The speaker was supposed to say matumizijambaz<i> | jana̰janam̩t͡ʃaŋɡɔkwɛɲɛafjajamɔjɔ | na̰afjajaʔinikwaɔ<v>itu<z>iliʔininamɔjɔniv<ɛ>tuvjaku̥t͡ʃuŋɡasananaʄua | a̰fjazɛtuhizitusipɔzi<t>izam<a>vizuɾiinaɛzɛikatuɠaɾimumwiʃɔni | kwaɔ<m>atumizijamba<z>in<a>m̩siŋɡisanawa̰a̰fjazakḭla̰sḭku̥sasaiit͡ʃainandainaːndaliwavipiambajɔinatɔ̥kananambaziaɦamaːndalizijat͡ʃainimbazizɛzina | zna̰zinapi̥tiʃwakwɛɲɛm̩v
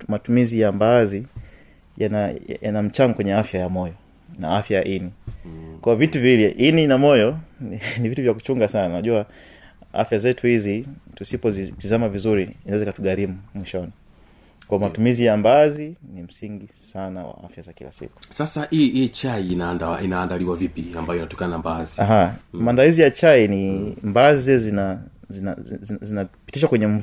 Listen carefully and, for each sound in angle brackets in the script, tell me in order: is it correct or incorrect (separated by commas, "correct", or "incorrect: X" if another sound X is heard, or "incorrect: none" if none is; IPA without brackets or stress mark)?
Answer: correct, correct, incorrect: v, incorrect: i, correct, correct, correct, correct, incorrect: i